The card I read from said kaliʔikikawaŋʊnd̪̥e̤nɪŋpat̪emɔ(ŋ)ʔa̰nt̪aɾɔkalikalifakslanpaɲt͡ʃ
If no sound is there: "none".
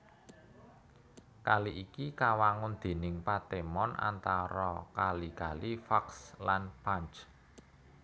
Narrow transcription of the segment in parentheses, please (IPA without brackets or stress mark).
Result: n